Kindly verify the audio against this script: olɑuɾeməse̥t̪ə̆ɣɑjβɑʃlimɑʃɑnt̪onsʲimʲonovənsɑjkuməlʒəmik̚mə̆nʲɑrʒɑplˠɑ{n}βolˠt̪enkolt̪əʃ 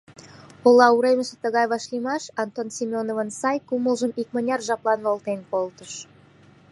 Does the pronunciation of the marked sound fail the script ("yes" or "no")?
no